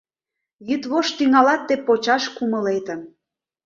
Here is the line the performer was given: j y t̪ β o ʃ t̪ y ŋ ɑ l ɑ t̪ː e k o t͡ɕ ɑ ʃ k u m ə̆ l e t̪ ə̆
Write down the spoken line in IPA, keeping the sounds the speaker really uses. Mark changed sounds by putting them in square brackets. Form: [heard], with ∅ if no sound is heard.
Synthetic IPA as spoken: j y t̪ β o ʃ t̪ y ŋ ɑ l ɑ t̪ː e [p] o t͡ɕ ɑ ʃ k u m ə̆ l e t̪ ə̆